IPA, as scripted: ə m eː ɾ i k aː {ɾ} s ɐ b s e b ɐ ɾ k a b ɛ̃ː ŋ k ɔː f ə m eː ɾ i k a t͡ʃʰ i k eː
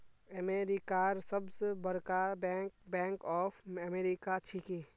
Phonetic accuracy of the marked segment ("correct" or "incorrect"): correct